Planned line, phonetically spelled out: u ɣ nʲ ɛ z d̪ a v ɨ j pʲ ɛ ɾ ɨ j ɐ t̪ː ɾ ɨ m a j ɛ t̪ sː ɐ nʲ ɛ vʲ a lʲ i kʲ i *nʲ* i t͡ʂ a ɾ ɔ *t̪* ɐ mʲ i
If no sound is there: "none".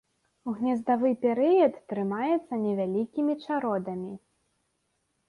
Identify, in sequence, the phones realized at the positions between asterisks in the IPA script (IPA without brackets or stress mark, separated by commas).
mʲ, d̪